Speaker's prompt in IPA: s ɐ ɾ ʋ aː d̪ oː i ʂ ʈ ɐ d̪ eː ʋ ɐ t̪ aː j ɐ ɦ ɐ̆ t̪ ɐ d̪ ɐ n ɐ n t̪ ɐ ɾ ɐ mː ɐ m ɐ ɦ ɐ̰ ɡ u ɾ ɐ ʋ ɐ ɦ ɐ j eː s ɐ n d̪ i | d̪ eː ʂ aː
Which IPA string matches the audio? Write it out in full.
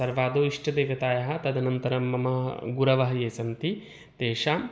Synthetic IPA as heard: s ɐ ɾ ʋ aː d̪ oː i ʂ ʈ ɐ d̪ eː ʋ ɐ t̪ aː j ɐ ɦ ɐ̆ t̪ ɐ d̪ ɐ n ɐ n t̪ ɐ ɾ ɐ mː ɐ m ɐ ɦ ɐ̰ ɡ u ɾ ɐ ʋ ɐ ɦ ɐ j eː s ɐ n t̪ i | t̪ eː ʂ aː